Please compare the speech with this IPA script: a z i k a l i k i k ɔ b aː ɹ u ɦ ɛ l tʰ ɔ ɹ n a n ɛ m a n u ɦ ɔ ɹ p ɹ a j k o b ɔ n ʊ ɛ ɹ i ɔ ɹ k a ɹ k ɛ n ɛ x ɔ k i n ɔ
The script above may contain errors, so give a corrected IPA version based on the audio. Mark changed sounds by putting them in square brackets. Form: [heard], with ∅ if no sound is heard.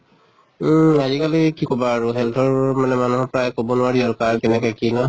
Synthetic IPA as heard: a z i k a l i k i k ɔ b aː ɹ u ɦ ɛ l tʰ ɔ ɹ [m] a n ɛ m a n u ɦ ɔ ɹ p ɹ a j k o b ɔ n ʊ [a] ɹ i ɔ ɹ k a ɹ k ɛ n ɛ [k] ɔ k i n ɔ